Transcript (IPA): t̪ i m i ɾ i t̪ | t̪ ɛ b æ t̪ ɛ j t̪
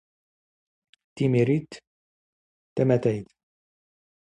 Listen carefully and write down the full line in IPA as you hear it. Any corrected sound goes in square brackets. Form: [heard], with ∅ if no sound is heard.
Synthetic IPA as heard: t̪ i m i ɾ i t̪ | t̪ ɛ [m] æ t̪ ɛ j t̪